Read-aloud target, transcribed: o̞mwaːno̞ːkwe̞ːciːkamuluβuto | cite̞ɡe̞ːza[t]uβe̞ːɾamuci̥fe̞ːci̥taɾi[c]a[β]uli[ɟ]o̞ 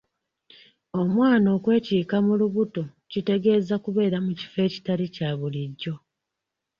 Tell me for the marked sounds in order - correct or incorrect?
incorrect: k, correct, correct, incorrect: ɟː

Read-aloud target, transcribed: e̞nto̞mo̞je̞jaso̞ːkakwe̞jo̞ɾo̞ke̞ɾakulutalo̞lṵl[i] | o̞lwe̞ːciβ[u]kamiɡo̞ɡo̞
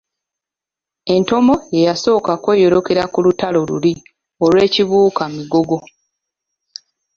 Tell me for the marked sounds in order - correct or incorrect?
correct, incorrect: uː

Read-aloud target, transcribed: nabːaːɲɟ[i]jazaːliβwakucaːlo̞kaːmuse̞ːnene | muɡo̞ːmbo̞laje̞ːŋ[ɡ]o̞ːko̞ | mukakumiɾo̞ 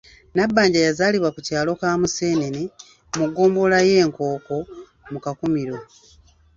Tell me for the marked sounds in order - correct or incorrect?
incorrect: a, incorrect: k

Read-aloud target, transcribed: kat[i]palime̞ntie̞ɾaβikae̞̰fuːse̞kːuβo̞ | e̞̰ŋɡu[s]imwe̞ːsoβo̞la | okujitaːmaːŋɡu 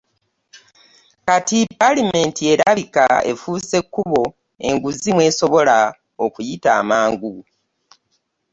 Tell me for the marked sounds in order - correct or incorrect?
correct, incorrect: z

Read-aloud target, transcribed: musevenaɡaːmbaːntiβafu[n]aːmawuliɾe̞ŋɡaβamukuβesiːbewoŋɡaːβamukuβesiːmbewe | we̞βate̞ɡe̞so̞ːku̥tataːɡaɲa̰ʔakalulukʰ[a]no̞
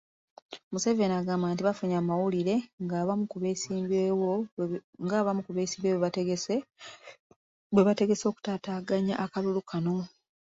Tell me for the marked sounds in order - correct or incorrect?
incorrect: ɲ, correct

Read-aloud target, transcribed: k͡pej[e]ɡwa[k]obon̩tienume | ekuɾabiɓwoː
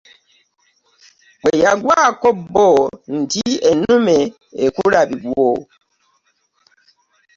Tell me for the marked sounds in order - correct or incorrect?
incorrect: a, correct

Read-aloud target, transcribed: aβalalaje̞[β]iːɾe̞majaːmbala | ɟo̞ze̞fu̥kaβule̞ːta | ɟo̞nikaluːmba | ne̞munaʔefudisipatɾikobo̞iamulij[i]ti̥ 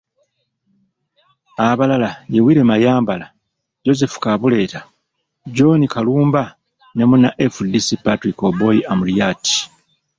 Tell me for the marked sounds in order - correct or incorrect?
incorrect: w, incorrect: a

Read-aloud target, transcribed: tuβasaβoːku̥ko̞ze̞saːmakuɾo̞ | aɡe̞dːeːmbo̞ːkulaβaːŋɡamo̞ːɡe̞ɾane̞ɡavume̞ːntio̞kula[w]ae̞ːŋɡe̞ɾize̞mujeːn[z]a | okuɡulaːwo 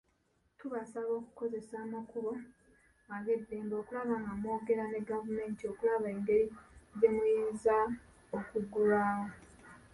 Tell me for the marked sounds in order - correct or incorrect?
incorrect: β, correct

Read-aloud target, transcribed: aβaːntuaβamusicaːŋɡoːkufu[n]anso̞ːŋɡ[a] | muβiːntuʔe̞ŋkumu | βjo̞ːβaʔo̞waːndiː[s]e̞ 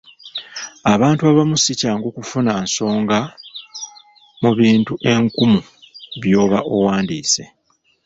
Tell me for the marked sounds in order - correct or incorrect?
correct, correct, correct

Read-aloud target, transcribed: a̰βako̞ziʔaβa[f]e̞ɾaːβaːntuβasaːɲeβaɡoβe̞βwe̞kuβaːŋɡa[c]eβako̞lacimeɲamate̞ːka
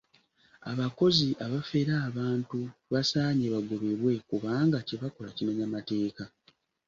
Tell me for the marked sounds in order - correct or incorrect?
correct, correct

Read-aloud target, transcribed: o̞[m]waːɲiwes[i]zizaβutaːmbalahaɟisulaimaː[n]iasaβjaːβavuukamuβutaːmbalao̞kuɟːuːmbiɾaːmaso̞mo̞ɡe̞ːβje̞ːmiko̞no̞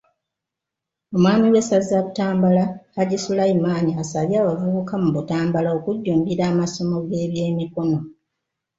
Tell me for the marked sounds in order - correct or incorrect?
correct, incorrect: a, incorrect: ɲ

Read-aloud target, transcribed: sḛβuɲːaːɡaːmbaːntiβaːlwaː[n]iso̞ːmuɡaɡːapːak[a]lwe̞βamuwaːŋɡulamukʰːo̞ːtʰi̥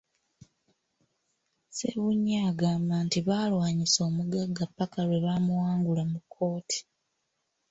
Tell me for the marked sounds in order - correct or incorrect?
incorrect: ɲ, correct

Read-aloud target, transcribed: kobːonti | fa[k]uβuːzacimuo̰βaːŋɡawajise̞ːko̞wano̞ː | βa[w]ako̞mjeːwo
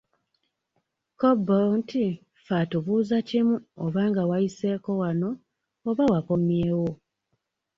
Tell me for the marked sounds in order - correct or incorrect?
incorrect: t, correct

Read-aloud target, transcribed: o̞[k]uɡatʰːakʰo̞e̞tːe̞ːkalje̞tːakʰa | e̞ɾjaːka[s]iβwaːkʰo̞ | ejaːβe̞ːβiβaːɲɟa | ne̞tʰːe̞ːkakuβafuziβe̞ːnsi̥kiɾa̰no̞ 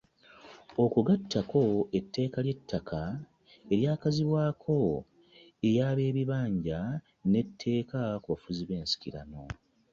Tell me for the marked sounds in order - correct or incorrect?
correct, incorrect: z

